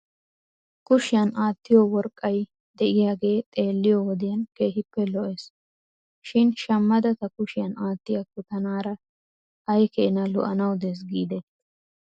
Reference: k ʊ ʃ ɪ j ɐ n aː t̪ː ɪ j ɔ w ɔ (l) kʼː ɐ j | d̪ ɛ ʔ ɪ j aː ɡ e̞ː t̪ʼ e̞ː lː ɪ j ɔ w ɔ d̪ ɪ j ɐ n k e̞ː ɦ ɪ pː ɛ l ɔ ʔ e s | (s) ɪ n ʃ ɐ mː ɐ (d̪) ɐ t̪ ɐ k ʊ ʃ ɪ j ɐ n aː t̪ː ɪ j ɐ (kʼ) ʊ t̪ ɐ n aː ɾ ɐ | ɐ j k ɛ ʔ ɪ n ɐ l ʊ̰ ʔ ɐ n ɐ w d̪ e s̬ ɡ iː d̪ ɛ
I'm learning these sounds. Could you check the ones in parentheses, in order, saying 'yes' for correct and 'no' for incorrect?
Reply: no, no, yes, no

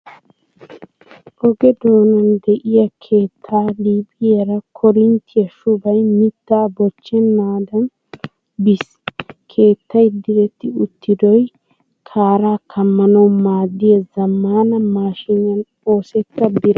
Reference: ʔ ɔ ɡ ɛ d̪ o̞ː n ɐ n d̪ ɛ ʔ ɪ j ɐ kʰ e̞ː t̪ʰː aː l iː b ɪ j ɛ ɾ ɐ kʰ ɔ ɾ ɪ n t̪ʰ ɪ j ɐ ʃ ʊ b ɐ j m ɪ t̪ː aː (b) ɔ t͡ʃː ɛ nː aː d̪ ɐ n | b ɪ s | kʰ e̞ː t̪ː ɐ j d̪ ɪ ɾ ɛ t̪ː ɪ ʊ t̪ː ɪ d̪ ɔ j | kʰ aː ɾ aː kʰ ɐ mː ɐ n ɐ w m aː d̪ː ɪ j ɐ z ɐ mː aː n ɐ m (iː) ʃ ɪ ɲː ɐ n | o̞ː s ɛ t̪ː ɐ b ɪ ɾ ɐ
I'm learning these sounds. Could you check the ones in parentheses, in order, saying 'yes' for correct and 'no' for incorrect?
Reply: yes, no

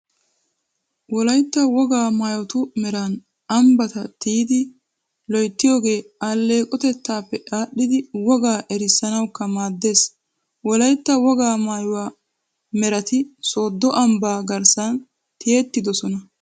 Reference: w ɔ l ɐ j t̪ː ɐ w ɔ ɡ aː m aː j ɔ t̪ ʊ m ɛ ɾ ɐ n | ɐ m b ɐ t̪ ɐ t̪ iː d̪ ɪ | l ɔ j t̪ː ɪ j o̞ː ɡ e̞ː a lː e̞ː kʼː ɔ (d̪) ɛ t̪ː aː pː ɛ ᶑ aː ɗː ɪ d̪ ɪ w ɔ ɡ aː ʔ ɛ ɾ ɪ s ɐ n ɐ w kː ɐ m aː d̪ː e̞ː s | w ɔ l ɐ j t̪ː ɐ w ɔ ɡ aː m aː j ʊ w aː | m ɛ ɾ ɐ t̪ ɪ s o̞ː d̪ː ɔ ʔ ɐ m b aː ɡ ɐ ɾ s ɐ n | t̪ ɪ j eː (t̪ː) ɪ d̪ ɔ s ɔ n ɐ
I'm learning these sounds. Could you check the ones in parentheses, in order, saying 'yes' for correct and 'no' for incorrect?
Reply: no, yes

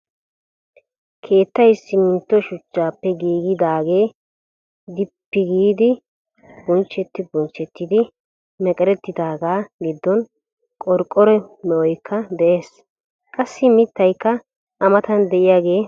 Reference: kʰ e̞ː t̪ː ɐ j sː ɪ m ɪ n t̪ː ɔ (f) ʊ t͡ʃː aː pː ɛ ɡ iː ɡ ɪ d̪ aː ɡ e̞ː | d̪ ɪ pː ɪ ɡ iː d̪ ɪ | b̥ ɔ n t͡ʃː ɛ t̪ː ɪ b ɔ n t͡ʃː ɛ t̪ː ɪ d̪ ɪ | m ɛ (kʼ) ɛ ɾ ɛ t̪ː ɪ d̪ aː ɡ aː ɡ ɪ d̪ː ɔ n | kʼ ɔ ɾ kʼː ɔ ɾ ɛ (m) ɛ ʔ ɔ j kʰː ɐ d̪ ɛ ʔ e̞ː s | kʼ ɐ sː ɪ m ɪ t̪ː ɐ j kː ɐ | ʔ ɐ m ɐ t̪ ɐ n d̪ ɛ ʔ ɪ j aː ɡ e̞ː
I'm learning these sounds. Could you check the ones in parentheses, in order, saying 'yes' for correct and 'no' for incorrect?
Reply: no, yes, yes

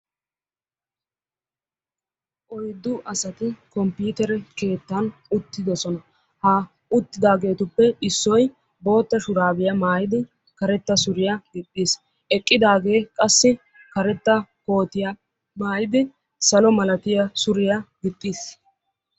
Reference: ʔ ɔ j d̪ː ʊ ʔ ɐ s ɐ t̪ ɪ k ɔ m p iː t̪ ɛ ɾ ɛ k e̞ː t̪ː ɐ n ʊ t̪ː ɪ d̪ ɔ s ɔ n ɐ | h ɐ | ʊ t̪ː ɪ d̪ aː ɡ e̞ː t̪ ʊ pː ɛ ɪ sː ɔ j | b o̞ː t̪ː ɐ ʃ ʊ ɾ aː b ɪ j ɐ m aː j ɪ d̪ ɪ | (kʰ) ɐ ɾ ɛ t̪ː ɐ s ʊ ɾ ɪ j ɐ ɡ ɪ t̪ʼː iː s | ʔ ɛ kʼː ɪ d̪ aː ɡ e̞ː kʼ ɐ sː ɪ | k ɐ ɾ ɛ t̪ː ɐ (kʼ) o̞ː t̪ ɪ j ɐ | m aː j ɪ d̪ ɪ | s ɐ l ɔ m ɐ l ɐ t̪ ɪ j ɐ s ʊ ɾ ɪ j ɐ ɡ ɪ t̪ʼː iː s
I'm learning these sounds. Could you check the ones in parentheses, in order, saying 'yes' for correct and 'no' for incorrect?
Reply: no, no

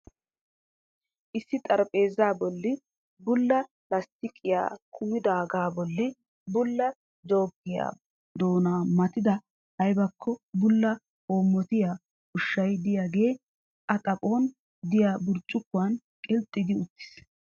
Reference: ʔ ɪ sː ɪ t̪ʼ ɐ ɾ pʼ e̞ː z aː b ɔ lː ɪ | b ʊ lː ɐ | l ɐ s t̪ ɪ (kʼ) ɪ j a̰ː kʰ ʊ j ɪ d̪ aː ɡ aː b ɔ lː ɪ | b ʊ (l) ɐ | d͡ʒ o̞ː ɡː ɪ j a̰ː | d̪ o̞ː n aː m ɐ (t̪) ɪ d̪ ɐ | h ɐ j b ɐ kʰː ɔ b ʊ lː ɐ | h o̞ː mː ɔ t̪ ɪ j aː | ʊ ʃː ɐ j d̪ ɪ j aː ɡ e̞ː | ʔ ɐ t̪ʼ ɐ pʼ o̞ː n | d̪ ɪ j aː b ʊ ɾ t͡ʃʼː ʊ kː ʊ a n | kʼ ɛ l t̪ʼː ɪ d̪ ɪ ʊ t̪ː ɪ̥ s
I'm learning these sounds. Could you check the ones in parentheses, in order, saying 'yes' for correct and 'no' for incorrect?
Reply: yes, no, yes

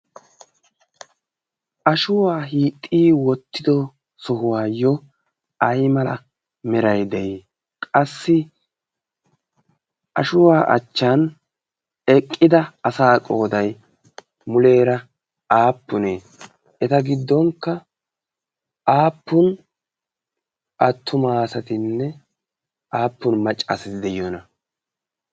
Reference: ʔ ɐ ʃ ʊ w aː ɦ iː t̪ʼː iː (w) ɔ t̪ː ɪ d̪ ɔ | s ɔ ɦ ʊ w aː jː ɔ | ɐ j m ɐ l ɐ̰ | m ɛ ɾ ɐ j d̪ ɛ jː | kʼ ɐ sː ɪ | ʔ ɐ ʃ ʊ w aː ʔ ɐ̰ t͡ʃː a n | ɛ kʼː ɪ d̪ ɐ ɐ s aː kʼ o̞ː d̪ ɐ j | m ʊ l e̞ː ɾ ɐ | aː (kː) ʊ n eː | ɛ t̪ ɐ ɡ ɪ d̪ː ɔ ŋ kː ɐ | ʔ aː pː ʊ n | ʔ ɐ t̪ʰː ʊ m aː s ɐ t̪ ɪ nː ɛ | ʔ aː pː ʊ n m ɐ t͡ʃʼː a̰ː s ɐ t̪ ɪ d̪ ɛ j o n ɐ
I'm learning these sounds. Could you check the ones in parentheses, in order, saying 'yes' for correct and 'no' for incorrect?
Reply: yes, no

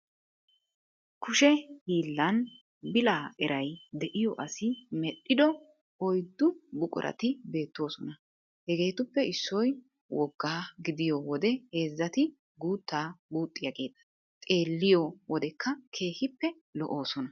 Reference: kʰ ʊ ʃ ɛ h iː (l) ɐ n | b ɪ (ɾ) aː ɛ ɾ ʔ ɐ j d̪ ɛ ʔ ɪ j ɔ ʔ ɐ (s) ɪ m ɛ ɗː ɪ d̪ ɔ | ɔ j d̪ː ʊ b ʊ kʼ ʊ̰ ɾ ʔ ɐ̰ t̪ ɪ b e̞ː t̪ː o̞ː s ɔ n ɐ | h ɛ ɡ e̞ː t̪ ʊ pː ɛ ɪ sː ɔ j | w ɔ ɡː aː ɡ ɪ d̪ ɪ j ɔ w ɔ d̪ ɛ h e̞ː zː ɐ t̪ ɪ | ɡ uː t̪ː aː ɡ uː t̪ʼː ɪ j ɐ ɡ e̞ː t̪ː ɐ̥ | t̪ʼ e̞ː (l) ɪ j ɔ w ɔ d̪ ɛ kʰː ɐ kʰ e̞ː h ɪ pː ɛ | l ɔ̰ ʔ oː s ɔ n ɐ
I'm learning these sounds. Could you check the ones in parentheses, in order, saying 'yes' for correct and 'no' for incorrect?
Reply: no, no, yes, no

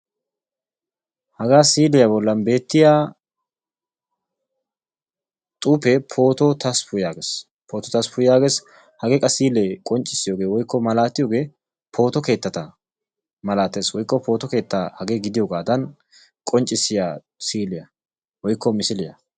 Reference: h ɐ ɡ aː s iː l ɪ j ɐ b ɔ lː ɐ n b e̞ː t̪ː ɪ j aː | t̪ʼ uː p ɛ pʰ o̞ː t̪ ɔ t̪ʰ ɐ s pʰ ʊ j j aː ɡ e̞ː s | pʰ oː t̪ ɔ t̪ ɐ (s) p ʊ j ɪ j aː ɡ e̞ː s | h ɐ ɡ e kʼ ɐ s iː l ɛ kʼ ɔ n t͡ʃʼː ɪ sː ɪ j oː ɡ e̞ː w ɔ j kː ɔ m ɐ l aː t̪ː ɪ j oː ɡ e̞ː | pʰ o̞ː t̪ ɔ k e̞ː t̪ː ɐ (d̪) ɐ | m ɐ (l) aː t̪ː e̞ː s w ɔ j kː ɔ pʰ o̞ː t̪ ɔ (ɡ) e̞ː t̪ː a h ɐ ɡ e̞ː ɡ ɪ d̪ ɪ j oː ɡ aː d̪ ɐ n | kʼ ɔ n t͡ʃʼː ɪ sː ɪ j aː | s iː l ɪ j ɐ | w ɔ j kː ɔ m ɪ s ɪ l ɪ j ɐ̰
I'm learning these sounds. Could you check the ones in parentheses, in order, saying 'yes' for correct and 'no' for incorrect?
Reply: yes, no, yes, no

